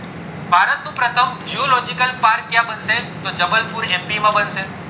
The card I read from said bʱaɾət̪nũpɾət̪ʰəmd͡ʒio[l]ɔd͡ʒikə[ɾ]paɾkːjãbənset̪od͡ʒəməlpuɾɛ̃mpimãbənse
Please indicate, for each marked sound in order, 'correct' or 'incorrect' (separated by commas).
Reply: correct, incorrect